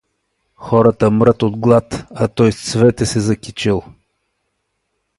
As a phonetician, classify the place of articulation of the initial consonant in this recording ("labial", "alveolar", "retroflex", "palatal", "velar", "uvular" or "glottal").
velar